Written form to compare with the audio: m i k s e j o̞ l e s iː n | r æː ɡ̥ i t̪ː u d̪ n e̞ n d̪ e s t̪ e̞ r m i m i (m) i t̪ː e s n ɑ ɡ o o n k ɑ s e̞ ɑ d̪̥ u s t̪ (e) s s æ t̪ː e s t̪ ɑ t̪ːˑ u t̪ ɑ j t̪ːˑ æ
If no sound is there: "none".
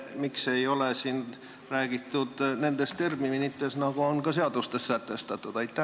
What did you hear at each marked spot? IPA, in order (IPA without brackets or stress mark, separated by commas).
n, e